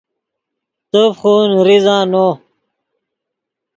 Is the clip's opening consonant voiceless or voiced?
voiceless